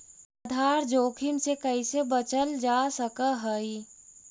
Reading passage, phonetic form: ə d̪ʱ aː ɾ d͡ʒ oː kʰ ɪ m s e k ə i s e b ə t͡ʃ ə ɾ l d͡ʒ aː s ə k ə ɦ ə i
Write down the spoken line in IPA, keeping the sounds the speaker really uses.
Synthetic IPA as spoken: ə d̪ʱ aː ɾ d͡ʒ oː kʰ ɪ m s e k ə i s e b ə t͡ʃ ə l d͡ʒ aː s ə k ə ɦ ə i